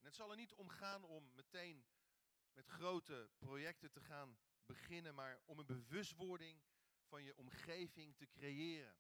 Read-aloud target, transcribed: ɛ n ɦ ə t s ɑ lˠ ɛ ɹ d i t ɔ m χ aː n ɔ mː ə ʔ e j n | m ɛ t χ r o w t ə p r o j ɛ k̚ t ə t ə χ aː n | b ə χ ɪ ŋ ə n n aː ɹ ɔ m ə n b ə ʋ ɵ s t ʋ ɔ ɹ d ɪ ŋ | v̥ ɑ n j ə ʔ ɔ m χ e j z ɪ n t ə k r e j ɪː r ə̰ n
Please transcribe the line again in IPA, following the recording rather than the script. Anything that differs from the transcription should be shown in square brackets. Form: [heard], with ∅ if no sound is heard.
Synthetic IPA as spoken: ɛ n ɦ ə t s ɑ lˠ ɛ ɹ [n] i t ɔ m χ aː n ɔ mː ə [t] e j n | m ɛ t χ r o w t ə p r o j ɛ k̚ t ə t ə χ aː n | b ə χ ɪ [n] ə n [m] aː ɹ ɔ m ə n b ə ʋ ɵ s t ʋ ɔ ɹ d ɪ ŋ | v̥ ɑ n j ə ʔ ɔ m χ e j [v] ɪ [ŋ] t ə k r e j ɪː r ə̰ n